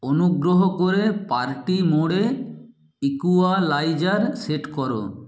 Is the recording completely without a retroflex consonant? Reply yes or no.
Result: no